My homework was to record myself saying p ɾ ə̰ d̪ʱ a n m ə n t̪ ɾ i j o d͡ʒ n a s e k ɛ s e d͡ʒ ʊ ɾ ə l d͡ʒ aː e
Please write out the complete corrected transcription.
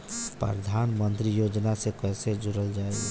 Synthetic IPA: p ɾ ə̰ d̪ʱ a n m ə n t̪ ɾ i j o d͡ʒ n a s e k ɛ s e d͡ʒ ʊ ɾ ə l d͡ʒ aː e